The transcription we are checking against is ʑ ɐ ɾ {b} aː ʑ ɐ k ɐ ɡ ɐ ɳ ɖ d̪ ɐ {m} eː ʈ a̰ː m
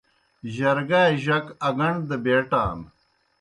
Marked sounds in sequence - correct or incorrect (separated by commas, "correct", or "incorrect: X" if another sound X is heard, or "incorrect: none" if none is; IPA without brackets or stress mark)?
incorrect: ɡ, incorrect: b